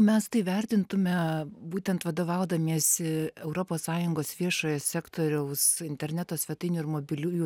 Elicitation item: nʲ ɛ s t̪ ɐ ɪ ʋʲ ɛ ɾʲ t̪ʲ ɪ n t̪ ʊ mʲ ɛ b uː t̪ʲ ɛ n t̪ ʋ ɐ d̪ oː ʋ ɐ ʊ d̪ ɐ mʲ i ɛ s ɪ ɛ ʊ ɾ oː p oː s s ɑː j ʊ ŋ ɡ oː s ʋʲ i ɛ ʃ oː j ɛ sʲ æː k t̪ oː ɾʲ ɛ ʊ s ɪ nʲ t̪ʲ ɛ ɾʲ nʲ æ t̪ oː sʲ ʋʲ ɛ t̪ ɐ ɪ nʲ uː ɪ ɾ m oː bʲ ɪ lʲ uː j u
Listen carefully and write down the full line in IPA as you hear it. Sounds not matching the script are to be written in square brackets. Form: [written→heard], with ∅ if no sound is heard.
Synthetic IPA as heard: [nʲ→mʲ] ɛ s t̪ ɐ ɪ ʋʲ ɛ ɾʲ t̪ʲ ɪ n t̪ ʊ mʲ ɛ b uː t̪ʲ ɛ n t̪ ʋ ɐ d̪ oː ʋ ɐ ʊ d̪ ɐ mʲ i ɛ s ɪ ɛ ʊ ɾ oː p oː s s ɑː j ʊ ŋ ɡ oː s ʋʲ i ɛ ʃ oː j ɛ sʲ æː k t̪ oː ɾʲ ɛ ʊ s ɪ nʲ t̪ʲ ɛ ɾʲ nʲ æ t̪ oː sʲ ʋʲ ɛ t̪ ɐ ɪ nʲ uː ɪ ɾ m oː bʲ ɪ lʲ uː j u